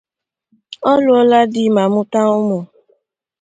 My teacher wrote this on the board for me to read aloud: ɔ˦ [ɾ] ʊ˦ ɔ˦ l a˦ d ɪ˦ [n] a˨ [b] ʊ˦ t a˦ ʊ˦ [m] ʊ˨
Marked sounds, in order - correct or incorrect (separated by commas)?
incorrect, incorrect, incorrect, correct